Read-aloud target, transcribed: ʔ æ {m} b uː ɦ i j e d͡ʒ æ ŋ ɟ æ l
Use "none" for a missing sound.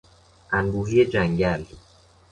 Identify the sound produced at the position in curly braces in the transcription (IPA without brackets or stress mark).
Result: n